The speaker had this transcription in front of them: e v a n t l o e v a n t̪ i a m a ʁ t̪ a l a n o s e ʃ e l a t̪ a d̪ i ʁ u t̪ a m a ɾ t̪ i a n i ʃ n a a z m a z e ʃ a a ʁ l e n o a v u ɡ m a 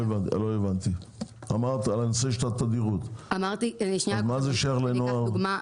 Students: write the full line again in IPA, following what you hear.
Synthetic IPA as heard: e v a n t l o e v a n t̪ i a m a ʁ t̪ a l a n o s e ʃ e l a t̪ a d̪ i ʁ u t̪ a m a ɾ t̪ i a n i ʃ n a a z m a z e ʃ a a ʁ l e n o a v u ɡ m a